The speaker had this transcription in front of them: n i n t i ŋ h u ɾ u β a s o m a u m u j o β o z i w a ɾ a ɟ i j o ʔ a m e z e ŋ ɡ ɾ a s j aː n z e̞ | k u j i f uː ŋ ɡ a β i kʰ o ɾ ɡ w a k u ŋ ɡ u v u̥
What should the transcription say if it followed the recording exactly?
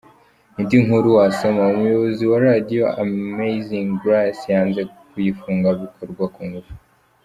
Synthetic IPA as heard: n i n d i ŋ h u ɾ u w a s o m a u m u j o β o z i w a ɾ a d i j o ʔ a m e z i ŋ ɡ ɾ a s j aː n z e̞ | k u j i f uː ŋ ɡ a β i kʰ o ɾ ɡ w a k u ŋ ɡ u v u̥

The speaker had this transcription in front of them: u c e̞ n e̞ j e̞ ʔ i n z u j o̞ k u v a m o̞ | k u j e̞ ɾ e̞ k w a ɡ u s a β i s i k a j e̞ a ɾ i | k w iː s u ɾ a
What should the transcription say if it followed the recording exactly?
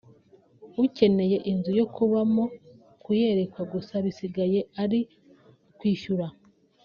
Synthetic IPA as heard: u c e̞ n e̞ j e̞ ʔ i n z u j o̞ k u β a m o̞ | k u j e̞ ɾ e̞ k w a ɡ u s a β i s i ɡ a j e̞ a ɾ i | k w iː ʃ u ɾ a

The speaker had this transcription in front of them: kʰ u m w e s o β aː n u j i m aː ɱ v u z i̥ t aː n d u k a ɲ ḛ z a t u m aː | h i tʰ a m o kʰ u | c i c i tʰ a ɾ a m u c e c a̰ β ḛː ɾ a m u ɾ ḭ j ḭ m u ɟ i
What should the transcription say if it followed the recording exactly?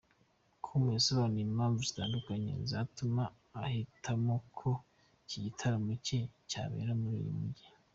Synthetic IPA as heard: kʰ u m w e s o β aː n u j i m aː ɱ v u z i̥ t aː n d u k a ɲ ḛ z a t u m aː | h i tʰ a m o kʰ o | c i ɟ i tʰ a ɾ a m u c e c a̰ β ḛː ɾ a m u ɾ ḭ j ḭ m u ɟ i

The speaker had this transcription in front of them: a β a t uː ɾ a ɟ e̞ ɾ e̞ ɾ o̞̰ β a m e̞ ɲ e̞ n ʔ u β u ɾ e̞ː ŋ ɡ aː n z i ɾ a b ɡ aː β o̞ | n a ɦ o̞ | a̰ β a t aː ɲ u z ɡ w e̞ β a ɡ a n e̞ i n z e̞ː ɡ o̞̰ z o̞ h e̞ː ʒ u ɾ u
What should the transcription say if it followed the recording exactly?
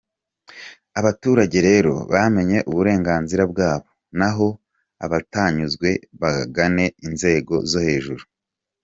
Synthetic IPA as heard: a β a t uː ɾ a ɟ e̞ ɾ e̞ ɾ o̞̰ β a m e̞ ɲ e̞ ʔ u β u ɾ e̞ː ŋ ɡ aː n z i ɾ a b ɡ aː β o̞ | n a ɦ o̞ | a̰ β a t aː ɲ u z ɡ w e̞ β a ɡ a n e̞ i n z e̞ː ɡ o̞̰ z o̞ h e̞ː ʒ u ɾ u

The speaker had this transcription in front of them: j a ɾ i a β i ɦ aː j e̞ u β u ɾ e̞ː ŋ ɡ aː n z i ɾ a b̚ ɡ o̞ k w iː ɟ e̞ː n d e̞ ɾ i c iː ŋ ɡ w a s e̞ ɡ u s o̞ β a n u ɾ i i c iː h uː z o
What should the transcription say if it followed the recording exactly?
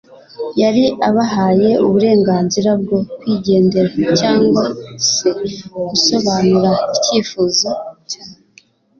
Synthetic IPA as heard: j a ɾ i a β a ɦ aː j e̞ u β u ɾ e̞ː ŋ ɡ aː n z i ɾ a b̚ ɡ o̞ k w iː ɟ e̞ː n d e̞ ɾ a c aː ŋ ɡ w a s e̞ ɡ u s o̞ β a n u ɾ a i c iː f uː z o

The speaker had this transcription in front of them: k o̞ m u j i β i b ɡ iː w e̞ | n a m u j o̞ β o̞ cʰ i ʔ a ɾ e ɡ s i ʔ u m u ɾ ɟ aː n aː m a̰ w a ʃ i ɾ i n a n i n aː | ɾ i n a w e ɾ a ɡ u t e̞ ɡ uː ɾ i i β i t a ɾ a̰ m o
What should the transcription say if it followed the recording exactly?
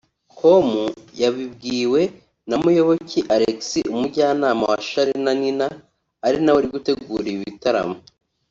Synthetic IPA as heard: k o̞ m u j a β i b ɡ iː w e̞ | n a m u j o̞ β o̞ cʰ i ʔ a ɾ e k s i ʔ u m u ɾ ɟ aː n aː m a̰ w a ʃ a ɾ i n a n i n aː | ɾ i n a w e ɾ i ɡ u t e̞ ɡ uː ɾ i i β i t a ɾ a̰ m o

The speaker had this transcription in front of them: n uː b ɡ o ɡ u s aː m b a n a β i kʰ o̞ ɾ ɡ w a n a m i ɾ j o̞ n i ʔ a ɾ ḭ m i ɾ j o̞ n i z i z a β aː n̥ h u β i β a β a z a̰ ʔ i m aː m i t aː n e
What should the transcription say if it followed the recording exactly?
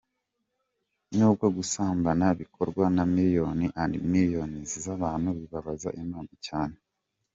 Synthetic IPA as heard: n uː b ɡ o ɡ u s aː m b a n a β i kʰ o̞ ɾ ɡ w a n a m i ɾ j o̞ n i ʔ a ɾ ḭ m i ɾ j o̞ n i z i z a β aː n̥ h u β i β a β a z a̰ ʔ i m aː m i c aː n e

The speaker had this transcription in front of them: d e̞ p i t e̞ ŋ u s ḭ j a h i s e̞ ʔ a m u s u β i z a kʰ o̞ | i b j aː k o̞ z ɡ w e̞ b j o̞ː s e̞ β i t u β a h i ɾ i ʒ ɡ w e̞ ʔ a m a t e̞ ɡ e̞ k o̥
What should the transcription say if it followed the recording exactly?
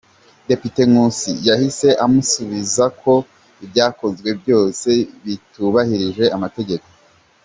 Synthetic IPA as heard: d e̞ p i t e̞ ŋ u s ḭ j a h i s e̞ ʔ a m u s u β i z a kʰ o̞ | i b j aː k o̞ z ɡ w e̞ b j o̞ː s e̞ β i t u β a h i ɾ i ʒ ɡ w e̞ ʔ a m a t e̞ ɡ e̞ k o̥

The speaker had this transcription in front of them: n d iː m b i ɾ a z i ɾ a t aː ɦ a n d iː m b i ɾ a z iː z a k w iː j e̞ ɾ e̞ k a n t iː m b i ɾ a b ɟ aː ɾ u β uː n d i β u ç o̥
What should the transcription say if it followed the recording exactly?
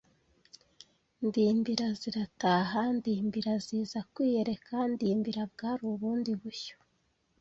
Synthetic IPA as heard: n d iː m b i ɾ a z i ɾ a t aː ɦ a n d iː m b i ɾ a z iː z a k w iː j e̞ ɾ e̞ k a n d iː m b i ɾ a b ɡ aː ɾ u β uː n d i β u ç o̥

